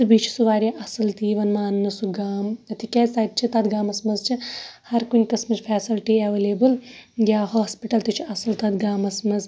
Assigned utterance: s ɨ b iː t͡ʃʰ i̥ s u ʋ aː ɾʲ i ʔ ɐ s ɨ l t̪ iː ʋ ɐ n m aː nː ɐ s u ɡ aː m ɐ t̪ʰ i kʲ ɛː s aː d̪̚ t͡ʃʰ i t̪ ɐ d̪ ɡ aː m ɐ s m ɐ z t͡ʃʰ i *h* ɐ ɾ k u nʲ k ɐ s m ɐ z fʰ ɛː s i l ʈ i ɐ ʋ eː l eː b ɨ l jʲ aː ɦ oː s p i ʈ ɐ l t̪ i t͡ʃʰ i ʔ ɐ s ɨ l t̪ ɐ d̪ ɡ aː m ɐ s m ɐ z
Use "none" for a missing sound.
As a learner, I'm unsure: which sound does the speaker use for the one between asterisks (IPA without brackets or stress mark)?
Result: h